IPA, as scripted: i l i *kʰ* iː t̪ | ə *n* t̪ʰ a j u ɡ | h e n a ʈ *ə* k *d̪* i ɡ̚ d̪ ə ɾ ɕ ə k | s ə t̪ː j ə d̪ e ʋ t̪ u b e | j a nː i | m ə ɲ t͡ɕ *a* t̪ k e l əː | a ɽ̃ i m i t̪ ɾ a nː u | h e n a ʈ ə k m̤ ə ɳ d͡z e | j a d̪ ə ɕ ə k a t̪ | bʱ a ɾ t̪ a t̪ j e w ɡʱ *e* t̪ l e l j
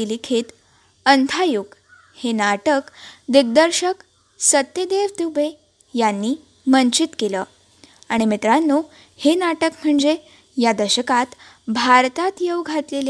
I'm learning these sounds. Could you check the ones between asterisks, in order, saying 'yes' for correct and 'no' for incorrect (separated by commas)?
yes, yes, yes, yes, no, no